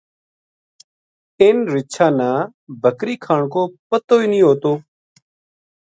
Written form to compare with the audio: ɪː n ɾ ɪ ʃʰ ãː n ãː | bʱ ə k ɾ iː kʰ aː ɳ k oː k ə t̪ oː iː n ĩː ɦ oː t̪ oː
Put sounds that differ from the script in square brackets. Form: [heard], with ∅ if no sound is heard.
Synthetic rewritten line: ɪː n ɾ ɪ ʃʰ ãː n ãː | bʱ ə k ɾ iː kʰ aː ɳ k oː [p] ə t̪ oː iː n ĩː ɦ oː t̪ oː